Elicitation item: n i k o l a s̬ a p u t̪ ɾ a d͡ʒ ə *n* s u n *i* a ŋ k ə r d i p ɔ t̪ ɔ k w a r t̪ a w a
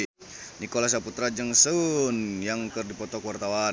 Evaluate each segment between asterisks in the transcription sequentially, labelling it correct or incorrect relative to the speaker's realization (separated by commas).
incorrect, incorrect